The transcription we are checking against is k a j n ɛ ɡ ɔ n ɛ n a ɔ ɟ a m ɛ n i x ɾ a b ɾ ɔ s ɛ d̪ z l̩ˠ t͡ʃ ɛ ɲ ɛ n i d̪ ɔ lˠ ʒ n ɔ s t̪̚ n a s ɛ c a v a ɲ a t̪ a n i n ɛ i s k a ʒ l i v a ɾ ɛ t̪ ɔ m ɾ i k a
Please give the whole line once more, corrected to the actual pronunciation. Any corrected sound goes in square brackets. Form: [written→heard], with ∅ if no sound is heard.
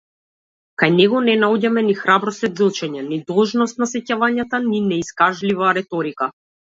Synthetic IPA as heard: k a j n ɛ ɡ ɔ n ɛ n a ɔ ɟ a m ɛ n i x ɾ a b ɾ ɔ s ɛ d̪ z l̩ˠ t͡ʃ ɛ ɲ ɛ n i d̪ ɔ lˠ ʒ n ɔ s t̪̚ n a s ɛ c a v a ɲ a t̪ a n i n ɛ i s k a ʒ l i v a ɾ ɛ t̪ ɔ [m→∅] ɾ i k a